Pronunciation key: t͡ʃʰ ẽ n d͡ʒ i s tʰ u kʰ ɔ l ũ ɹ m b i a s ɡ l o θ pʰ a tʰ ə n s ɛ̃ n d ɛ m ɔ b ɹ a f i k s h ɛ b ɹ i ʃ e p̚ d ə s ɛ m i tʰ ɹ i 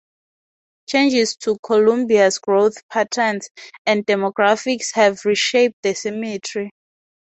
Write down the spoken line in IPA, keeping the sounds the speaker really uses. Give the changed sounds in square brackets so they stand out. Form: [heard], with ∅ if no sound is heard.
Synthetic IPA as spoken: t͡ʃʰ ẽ n d͡ʒ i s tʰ u kʰ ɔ l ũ [∅] m b i a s ɡ [ɹ] o θ pʰ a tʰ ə n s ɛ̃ n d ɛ m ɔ [ɡ] ɹ a f i k s h ɛ [v] ɹ i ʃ e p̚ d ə s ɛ m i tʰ ɹ i